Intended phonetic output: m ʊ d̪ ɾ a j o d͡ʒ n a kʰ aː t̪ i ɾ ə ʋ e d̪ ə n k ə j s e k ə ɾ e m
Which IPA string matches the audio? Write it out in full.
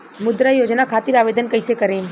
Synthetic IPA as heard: m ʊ d̪ ɾ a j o d͡ʒ n a kʰ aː t̪ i ɾ a ʋ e d̪ ə n k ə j s e k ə ɾ e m